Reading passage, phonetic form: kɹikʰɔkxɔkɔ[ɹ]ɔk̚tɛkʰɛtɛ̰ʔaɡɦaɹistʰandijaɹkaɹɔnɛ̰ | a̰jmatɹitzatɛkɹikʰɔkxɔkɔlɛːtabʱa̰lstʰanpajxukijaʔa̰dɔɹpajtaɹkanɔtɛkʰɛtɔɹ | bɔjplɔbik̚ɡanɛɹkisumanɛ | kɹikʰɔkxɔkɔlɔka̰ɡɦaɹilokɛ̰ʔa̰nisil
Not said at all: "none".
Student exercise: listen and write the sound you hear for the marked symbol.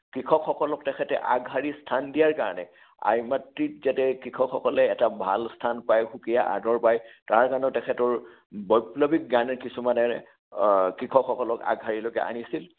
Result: l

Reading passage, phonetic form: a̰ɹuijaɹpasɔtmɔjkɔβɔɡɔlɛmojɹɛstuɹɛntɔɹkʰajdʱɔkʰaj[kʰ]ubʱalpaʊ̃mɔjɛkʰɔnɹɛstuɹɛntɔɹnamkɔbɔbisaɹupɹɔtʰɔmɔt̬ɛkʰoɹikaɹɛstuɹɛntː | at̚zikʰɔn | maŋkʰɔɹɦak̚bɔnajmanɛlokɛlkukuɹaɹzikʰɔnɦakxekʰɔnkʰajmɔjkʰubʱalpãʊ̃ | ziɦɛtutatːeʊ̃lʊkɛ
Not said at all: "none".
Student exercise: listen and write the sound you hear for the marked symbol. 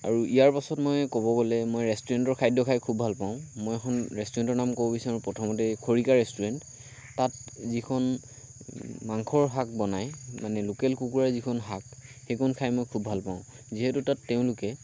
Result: kʰ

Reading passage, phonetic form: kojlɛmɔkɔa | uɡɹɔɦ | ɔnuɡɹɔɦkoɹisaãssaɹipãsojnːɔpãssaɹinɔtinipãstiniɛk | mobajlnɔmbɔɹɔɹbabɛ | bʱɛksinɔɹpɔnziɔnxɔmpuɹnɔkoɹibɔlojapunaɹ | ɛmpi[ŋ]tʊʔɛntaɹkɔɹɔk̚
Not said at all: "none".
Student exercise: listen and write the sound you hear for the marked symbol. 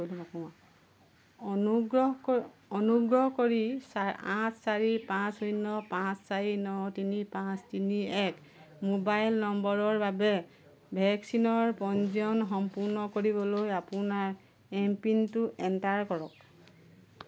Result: n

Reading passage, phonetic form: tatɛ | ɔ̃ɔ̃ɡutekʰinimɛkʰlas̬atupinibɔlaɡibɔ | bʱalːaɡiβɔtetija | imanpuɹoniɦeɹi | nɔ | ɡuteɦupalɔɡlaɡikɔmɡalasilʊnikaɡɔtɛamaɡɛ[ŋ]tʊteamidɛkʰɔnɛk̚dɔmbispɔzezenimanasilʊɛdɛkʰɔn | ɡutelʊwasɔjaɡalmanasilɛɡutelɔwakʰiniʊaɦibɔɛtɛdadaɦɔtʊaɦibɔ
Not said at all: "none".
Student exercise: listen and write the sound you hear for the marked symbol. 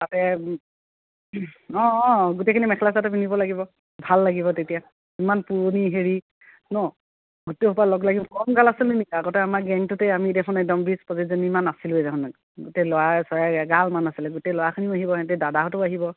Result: ŋ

